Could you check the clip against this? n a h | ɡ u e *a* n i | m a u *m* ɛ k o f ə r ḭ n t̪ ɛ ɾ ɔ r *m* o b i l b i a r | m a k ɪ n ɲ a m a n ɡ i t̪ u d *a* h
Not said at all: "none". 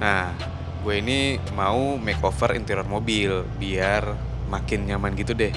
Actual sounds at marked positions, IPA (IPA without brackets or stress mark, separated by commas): i, m, m, ɛ